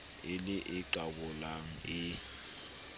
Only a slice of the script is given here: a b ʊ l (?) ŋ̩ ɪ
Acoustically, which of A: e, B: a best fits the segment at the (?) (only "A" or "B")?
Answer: B